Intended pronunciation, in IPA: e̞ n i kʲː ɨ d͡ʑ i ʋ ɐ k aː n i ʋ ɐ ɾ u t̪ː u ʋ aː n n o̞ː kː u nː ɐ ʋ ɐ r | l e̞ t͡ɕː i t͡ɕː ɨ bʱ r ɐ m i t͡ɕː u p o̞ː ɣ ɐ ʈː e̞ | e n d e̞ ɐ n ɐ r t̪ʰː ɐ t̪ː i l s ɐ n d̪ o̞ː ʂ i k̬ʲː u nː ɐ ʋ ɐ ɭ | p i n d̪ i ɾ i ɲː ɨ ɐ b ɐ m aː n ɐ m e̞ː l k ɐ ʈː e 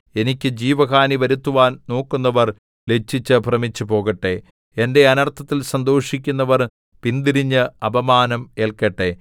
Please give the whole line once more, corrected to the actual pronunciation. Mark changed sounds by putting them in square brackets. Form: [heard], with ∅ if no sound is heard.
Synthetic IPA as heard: e̞ n i kʲː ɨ d͡ʑ [iː] ʋ ɐ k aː n i ʋ ɐ ɾ u t̪ː u ʋ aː n n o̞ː kː u nː ɐ ʋ ɐ r | l e̞ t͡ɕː i t͡ɕː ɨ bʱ r ɐ m i t͡ɕː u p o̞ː ɣ ɐ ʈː e̞ | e n d e̞ ɐ n ɐ r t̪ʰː ɐ t̪ː i l s ɐ n d̪ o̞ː ʂ i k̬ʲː u nː ɐ ʋ ɐ [r] | p i n d̪ i ɾ i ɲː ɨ ɐ b ɐ m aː n ɐ m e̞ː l k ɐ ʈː e

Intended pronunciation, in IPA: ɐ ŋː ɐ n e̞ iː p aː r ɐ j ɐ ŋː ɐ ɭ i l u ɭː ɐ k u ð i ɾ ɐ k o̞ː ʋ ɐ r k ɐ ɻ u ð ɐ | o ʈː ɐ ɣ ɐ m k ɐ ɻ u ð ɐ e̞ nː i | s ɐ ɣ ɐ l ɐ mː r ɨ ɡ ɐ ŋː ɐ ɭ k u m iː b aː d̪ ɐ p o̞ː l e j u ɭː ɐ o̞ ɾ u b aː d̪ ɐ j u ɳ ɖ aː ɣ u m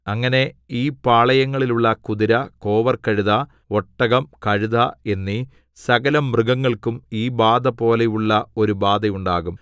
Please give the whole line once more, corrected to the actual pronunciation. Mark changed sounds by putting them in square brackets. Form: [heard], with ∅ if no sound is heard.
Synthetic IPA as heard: ɐ ŋː ɐ n e̞ iː p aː [ɭ] ɐ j ɐ ŋː ɐ ɭ i l u ɭː ɐ k u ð i ɾ ɐ k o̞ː ʋ ɐ r k ɐ ɻ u ð ɐ | o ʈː ɐ ɣ ɐ m k ɐ ɻ u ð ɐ e̞ nː i | s ɐ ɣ ɐ l ɐ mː r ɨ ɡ ɐ ŋː ɐ ɭ k u m iː b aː d̪ ɐ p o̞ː l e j u ɭː ɐ o̞ ɾ u b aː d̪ ɐ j u ɳ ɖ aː ɣ u m

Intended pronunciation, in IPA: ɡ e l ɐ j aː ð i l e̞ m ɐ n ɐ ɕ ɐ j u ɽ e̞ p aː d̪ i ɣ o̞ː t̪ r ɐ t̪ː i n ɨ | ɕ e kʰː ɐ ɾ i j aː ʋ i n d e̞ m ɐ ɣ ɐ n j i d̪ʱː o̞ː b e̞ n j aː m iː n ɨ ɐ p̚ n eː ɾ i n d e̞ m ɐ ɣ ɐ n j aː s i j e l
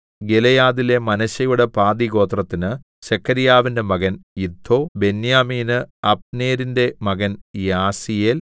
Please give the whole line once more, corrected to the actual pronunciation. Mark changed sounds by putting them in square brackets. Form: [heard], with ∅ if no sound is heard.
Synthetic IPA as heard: ɡ e l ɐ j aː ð i l e̞ m ɐ n ɐ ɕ ɐ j u ɽ e̞ p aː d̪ i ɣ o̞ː t̪ r ɐ t̪ː i n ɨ | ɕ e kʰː ɐ ɾ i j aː ʋ i n d e̞ m ɐ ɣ ɐ n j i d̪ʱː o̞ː b e̞ n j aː m iː n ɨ ɐ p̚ n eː ɾ i n d e̞ m ɐ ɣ ɐ n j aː s i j e l

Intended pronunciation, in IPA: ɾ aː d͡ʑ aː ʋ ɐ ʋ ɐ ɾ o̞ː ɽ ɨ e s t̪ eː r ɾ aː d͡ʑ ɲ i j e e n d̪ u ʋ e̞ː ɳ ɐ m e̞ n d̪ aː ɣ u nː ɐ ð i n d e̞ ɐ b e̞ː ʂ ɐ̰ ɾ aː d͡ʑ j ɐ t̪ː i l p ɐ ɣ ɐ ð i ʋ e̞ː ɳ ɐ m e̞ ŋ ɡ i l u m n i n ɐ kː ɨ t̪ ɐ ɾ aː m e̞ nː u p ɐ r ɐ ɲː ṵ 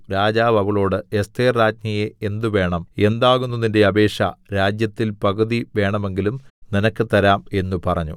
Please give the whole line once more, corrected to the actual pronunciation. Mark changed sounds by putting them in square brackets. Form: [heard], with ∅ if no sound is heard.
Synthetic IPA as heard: ɾ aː d͡ʑ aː ʋ ɐ ʋ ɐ [ɭ] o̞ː ɽ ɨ e s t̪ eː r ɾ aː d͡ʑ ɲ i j e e n d̪ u ʋ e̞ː ɳ ɐ m e̞ n d̪ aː ɣ u nː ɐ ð i n d e̞ ɐ b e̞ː ʂ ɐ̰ ɾ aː d͡ʑ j ɐ t̪ː i l p ɐ ɣ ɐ ð i ʋ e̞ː ɳ ɐ m e̞ ŋ ɡ i l u m n i n ɐ kː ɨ t̪ ɐ ɾ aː m e̞ nː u p ɐ r ɐ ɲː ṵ

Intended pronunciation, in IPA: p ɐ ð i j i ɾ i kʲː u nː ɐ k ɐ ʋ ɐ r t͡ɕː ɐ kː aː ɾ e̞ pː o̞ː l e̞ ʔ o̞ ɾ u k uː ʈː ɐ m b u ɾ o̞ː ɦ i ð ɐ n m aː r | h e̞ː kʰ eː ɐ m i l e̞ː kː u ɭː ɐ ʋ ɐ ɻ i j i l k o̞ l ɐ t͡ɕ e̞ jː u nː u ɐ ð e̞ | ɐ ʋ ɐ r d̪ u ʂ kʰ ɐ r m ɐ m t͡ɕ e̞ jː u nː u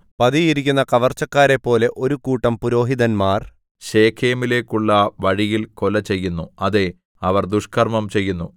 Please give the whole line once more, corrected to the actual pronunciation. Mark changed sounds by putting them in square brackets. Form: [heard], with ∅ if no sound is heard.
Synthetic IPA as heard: p ɐ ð i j i ɾ i kʲː u nː ɐ k ɐ ʋ ɐ r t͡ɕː ɐ kː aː ɾ e̞ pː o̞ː l e̞ ʔ o̞ ɾ u k uː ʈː ɐ m [p] u ɾ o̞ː ɦ i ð ɐ n m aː r | [ɕ] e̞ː kʰ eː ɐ m i l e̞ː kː u ɭː ɐ ʋ ɐ ɻ i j i l k o̞ l ɐ t͡ɕ e̞ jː u nː u ɐ ð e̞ | ɐ ʋ ɐ r d̪ u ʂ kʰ ɐ r m ɐ m t͡ɕ e̞ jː u nː u

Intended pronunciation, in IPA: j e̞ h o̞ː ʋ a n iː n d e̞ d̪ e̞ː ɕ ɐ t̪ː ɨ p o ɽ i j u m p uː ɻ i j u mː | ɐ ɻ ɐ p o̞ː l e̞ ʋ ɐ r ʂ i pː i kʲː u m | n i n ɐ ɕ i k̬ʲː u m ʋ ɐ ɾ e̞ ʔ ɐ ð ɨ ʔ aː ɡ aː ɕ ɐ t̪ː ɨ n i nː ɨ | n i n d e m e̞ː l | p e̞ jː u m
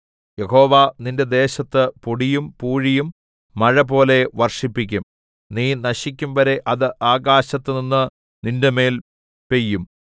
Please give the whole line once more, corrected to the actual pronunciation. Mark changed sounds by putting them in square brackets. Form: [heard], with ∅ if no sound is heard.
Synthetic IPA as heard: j e̞ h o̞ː ʋ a n [i] n d e̞ d̪ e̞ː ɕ ɐ t̪ː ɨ p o ɽ i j u m p uː ɻ i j u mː | ɐ ɻ ɐ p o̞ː l e̞ ʋ ɐ r ʂ i pː i kʲː u m | n [iː] n ɐ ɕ i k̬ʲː u m ʋ ɐ ɾ e̞ ʔ ɐ ð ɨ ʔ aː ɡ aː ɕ ɐ t̪ː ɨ n i nː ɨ | n i n d e m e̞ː l | p e̞ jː u m

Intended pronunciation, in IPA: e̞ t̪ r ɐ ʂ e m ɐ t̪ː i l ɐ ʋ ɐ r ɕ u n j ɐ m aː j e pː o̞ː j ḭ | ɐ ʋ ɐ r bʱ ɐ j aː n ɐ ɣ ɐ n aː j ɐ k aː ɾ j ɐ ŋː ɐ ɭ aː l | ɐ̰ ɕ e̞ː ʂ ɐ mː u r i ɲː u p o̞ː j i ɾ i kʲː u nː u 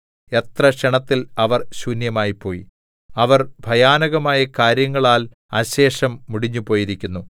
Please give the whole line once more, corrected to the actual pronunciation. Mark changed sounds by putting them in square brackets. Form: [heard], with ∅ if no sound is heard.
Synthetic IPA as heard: e̞ t̪ r ɐ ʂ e [ɳ] ɐ t̪ː i l ɐ ʋ ɐ r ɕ u n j ɐ m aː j [i] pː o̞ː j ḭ | ɐ ʋ ɐ r bʱ ɐ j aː n ɐ ɣ ɐ [m] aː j ɐ k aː ɾ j ɐ ŋː ɐ ɭ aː l | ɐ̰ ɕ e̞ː ʂ ɐ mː u [ɽ] i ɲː u p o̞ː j i ɾ i kʲː u nː u

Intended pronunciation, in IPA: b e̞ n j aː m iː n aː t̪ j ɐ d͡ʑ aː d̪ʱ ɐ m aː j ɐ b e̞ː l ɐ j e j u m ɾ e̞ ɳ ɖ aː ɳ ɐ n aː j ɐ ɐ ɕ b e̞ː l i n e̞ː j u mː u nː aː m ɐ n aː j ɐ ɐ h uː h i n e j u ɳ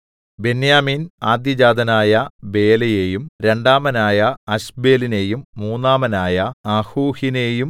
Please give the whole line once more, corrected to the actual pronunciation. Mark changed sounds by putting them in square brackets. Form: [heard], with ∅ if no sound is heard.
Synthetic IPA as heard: b e̞ n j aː m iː n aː [d̪] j ɐ d͡ʑ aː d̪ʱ ɐ [n] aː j ɐ b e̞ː l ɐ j e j u m ɾ e̞ ɳ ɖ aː [m] ɐ n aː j ɐ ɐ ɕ b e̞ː l i n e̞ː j u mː [uː] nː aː m ɐ n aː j ɐ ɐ h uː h i n e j u [m]

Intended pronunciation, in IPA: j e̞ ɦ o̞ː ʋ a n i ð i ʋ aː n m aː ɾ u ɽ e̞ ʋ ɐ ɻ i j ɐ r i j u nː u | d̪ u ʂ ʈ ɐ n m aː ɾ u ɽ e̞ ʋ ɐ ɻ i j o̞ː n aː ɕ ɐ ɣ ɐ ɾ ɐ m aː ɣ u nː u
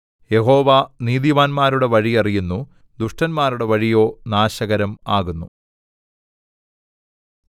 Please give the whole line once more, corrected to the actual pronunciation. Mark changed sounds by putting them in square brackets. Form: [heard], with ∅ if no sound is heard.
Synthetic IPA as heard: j e̞ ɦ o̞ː ʋ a n [iː] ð i ʋ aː n m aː ɾ u ɽ e̞ ʋ ɐ ɻ i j ɐ r i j u nː u | d̪ u ʂ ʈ ɐ n m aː ɾ u ɽ e̞ ʋ ɐ ɻ i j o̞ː n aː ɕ ɐ ɣ ɐ ɾ ɐ m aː ɣ u nː u

